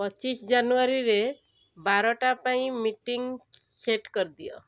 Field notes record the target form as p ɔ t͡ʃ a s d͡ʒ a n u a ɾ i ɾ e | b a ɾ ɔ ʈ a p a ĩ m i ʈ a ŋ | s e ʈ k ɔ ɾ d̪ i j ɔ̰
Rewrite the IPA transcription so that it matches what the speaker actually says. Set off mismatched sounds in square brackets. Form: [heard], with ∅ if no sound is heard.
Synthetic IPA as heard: p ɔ t͡ʃ [i] s d͡ʒ a n u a ɾ i ɾ e | b a ɾ ɔ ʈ a p a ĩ m i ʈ [i] ŋ | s e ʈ k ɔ ɾ d̪ i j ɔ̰